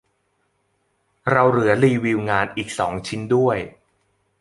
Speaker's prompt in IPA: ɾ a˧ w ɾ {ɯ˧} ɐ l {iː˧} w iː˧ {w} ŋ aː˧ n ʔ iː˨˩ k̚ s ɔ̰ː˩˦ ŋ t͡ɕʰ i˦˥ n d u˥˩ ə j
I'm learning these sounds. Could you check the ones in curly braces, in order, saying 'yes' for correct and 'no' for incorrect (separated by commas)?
no, yes, yes